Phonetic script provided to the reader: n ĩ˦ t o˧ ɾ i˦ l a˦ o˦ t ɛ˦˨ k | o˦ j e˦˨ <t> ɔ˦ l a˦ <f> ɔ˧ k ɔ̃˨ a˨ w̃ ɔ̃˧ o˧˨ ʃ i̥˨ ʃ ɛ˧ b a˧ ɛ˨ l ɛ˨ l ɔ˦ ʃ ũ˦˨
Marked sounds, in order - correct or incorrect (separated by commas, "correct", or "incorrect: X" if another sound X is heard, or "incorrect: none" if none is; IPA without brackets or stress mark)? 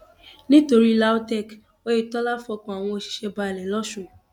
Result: correct, correct